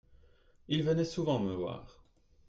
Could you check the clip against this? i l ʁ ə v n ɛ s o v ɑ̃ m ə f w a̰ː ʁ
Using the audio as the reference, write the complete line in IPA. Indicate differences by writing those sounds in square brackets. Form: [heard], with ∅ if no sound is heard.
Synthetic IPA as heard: i l [v] ə [∅] n ɛ s [u] v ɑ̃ m ə [v] w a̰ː ʁ

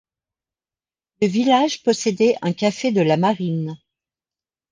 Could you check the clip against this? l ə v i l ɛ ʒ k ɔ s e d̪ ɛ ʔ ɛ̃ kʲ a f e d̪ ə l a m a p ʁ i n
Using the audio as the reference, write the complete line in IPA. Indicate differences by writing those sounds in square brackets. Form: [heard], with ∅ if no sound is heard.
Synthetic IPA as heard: l ə v i l [a] ʒ [p] ɔ s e d̪ ɛ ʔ ɛ̃ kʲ a f e d̪ ə l a m a [∅] ʁ i n

